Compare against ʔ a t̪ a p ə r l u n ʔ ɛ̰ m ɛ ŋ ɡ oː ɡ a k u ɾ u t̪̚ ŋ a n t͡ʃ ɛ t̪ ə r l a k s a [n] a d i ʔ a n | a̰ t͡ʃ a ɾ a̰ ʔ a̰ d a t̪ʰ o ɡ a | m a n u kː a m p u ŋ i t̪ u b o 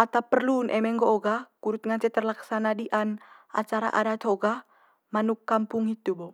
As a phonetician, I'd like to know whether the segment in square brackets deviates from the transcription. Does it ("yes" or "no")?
no